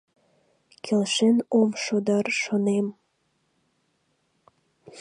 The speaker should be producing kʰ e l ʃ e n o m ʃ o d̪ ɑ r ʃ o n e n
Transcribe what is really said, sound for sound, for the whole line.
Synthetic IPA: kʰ e l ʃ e n o m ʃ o d̪ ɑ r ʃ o n e m